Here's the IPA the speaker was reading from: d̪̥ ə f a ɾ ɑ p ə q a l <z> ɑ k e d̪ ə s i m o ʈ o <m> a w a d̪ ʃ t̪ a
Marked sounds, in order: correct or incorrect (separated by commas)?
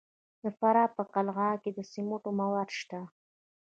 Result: incorrect, correct